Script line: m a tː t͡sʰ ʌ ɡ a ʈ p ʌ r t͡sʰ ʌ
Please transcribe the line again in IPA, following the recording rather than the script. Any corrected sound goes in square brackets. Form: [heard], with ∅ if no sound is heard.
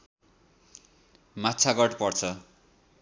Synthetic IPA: m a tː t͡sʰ [a] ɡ [ʌ] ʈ p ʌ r t͡sʰ ʌ